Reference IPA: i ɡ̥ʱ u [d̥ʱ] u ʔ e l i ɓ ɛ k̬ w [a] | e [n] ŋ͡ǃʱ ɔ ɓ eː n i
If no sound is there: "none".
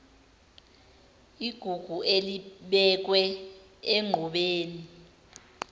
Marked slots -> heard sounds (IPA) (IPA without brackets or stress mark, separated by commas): ɡ̥ʱ, ɛ, none